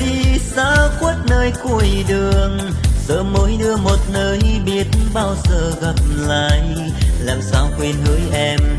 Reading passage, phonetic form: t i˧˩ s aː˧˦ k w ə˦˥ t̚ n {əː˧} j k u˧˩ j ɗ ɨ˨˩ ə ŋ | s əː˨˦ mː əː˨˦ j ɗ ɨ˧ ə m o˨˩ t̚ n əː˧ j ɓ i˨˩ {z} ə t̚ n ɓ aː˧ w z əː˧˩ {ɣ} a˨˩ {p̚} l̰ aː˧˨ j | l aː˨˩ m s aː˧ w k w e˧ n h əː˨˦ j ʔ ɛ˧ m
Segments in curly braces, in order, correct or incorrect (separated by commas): correct, incorrect, correct, correct